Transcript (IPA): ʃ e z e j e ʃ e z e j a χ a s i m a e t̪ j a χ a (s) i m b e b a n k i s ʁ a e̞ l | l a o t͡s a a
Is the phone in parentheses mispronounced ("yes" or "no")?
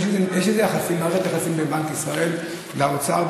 no